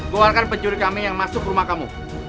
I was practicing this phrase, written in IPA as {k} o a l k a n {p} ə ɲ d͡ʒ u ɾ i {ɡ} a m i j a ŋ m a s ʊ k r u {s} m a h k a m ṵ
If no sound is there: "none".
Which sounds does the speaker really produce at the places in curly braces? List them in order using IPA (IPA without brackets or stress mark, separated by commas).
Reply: ɡ, p, k, none